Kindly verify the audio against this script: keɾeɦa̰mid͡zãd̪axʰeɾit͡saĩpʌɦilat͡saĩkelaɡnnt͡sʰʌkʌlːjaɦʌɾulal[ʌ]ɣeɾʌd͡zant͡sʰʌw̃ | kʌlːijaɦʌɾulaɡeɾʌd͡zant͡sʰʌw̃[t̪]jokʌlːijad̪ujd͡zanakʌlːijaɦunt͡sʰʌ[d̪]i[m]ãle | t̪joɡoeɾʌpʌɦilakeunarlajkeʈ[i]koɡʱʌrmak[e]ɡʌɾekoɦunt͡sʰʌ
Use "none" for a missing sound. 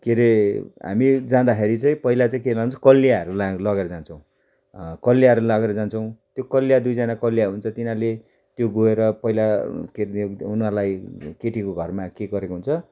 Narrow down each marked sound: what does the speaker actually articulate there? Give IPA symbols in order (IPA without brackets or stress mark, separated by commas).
ʌ, t̪, t̪, n, i, e